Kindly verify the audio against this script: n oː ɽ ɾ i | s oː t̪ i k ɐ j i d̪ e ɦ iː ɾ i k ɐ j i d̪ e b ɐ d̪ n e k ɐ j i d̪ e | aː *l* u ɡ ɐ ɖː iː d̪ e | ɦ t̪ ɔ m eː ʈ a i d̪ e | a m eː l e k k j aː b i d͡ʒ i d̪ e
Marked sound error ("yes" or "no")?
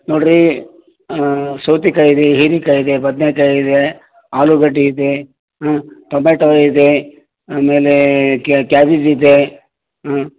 no